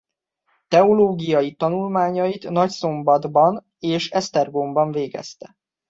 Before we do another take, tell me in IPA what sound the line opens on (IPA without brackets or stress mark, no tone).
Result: t̪